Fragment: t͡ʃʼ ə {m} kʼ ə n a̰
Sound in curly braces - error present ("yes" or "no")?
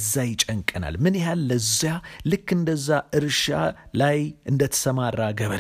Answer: yes